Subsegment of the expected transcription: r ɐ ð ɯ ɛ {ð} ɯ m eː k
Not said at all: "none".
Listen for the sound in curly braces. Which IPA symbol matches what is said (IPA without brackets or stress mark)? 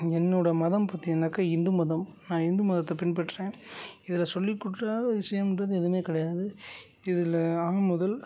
ð